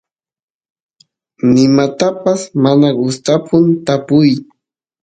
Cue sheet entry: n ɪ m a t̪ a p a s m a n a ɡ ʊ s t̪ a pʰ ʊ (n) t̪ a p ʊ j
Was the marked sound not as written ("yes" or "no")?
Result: no